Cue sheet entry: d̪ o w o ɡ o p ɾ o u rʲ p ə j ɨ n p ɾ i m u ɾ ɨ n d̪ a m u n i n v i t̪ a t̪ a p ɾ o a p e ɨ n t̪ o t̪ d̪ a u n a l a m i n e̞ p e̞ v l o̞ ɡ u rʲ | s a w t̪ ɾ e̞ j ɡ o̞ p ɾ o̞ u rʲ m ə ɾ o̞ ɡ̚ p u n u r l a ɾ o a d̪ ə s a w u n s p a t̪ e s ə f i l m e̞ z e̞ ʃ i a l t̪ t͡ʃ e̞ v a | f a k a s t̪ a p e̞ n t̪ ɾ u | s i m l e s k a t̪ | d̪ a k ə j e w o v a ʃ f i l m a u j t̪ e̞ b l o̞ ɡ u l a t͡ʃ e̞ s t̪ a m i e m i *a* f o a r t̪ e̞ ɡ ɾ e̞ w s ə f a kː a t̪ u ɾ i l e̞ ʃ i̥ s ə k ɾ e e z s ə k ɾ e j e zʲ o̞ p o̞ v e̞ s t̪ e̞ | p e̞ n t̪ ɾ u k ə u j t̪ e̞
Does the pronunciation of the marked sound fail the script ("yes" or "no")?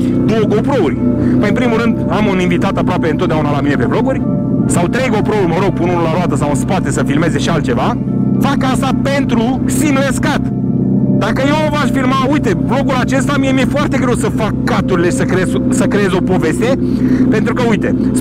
yes